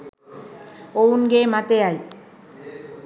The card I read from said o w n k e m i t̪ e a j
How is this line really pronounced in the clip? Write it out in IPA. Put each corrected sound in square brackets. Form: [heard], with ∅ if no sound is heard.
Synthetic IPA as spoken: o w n [ɡ] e m [a] t̪ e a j